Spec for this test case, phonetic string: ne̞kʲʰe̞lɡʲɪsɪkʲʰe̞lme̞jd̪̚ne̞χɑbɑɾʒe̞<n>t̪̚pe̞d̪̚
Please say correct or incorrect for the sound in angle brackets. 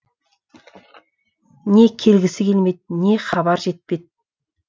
incorrect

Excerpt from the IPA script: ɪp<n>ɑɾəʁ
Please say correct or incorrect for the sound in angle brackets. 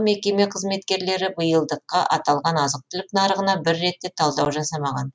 correct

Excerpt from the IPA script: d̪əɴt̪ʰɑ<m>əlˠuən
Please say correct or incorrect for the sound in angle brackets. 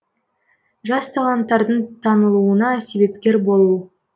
incorrect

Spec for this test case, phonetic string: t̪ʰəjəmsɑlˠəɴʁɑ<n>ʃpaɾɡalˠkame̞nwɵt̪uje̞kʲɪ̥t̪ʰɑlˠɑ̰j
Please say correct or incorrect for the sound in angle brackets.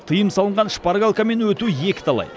correct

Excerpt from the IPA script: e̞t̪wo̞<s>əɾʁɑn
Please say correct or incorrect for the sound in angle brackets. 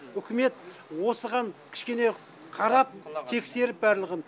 correct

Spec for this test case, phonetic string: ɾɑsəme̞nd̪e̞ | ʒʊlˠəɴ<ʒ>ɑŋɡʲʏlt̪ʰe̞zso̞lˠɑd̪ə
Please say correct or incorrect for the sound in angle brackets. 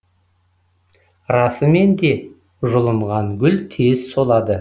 incorrect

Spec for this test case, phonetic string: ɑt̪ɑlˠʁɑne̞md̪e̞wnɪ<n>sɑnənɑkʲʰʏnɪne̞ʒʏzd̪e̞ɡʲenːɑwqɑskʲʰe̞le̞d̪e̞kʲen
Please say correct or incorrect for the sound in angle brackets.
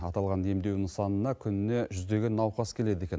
incorrect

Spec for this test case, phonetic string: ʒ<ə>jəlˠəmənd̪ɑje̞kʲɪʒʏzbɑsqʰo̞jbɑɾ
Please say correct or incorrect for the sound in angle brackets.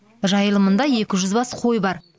incorrect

